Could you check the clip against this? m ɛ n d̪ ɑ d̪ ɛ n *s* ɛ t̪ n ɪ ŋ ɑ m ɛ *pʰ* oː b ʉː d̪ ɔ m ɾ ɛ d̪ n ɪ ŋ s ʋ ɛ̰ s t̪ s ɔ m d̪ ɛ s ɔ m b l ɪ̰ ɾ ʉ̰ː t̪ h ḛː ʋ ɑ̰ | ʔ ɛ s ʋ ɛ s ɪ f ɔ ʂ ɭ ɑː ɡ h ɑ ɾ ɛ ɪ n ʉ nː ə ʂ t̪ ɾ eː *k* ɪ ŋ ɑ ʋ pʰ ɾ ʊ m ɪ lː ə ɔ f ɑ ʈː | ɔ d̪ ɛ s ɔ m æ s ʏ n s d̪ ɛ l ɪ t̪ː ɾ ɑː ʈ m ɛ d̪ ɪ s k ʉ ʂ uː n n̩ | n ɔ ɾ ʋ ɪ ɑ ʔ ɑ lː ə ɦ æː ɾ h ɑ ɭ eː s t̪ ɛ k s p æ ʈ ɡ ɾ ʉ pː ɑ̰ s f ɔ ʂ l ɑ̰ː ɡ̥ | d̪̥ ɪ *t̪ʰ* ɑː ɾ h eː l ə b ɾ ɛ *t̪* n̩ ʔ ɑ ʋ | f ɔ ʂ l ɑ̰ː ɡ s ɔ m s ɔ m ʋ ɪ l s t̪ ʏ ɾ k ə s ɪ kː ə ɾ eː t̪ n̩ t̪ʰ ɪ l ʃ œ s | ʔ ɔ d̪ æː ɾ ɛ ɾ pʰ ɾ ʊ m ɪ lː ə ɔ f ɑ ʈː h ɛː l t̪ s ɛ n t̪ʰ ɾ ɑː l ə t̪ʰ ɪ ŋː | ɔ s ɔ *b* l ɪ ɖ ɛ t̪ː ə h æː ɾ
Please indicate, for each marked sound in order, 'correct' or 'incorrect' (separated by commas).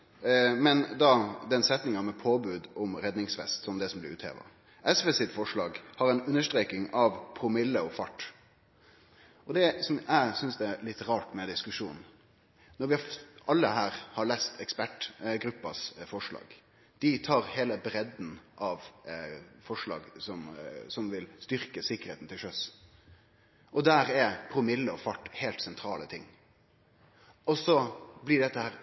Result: correct, correct, correct, correct, incorrect, correct